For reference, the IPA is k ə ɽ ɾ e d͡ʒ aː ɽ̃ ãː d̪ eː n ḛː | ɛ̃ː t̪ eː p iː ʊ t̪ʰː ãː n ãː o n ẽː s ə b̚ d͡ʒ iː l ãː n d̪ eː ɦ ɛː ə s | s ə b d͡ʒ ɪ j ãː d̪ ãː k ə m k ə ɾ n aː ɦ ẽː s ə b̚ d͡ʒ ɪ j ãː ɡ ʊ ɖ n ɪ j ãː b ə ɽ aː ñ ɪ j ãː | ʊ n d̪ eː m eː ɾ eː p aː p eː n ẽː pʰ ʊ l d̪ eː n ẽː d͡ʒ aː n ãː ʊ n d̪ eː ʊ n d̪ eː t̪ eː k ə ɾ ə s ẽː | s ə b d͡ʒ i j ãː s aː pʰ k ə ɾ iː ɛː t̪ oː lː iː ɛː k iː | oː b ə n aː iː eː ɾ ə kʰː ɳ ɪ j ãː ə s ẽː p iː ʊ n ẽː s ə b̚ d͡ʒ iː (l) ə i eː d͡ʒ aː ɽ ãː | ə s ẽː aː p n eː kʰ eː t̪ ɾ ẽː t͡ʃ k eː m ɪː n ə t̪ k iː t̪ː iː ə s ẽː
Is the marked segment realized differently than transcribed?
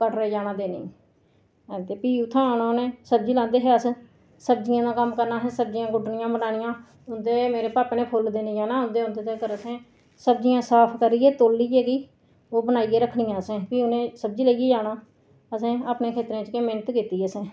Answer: no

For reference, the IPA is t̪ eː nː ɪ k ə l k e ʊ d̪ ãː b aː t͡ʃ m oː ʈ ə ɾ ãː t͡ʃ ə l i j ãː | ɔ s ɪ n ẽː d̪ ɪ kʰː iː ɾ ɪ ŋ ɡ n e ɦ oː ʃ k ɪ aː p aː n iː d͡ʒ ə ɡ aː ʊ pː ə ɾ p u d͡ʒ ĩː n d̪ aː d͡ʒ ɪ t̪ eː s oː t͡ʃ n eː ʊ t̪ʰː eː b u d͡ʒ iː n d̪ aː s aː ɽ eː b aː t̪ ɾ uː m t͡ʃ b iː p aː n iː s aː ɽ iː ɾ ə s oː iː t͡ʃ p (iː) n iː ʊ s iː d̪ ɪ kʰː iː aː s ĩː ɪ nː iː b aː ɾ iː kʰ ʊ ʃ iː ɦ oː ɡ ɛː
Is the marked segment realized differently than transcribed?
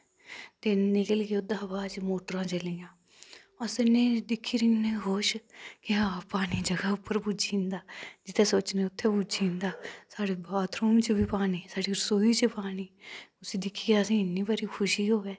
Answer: yes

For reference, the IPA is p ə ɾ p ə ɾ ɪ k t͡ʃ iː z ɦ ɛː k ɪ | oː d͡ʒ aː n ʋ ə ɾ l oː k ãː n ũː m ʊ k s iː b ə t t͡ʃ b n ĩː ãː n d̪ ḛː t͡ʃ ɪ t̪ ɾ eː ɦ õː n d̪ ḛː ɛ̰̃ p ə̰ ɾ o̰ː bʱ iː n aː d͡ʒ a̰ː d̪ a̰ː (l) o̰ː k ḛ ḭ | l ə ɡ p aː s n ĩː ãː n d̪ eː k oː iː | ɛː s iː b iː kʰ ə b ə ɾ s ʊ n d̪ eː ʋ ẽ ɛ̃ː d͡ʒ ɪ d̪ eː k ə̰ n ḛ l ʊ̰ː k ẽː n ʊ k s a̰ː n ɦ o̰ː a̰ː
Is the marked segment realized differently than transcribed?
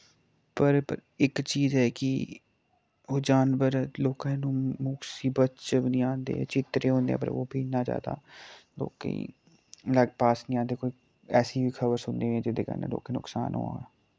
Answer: no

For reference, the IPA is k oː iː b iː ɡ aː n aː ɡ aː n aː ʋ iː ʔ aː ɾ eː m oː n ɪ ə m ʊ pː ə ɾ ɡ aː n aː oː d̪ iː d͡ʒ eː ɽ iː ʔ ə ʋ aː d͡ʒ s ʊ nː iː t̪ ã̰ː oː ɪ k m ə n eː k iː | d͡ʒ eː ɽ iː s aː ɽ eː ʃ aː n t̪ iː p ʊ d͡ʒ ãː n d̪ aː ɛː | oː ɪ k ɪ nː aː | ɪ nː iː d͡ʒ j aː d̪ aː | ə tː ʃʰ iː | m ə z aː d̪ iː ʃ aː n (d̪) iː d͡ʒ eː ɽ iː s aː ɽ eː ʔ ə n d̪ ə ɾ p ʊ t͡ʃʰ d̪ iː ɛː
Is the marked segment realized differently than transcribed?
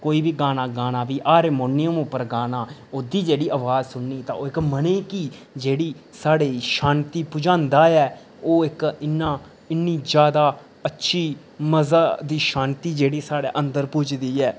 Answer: yes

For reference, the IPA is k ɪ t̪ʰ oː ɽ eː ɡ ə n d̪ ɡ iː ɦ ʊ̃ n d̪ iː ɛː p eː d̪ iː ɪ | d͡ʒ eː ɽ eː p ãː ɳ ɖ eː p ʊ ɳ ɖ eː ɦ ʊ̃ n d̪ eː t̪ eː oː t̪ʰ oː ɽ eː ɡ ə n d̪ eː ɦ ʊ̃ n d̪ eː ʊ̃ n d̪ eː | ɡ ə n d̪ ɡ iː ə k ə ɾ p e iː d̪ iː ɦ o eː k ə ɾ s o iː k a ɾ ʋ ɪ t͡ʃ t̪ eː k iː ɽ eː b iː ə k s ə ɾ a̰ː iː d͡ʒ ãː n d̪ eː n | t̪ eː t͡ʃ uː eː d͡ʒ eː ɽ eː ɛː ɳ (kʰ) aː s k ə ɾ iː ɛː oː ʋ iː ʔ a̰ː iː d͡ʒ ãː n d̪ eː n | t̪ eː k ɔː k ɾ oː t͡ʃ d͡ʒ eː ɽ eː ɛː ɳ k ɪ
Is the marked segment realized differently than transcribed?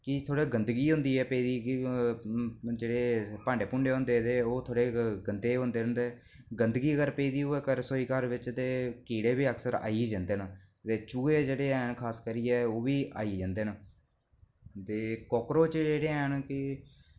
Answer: no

